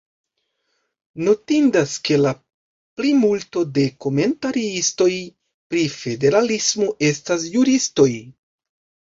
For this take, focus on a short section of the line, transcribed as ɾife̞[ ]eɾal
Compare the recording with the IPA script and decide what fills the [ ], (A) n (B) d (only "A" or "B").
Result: B